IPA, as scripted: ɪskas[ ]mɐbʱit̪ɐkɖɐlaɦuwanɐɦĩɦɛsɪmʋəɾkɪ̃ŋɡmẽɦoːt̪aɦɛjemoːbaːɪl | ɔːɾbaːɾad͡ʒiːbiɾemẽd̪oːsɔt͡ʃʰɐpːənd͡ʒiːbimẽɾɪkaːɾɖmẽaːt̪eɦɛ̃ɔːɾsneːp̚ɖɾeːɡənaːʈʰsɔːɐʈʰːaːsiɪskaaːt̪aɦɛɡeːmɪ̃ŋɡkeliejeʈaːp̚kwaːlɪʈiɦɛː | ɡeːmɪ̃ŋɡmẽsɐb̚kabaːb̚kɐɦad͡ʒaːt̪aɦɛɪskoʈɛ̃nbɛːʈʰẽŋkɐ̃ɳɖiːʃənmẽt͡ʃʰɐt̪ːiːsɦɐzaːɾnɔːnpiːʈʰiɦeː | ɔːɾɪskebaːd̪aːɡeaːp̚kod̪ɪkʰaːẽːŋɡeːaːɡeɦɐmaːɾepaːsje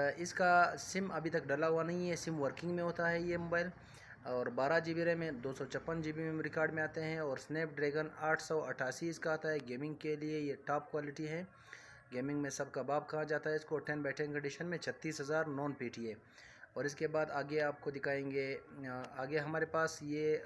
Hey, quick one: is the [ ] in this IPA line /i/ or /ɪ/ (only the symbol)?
ɪ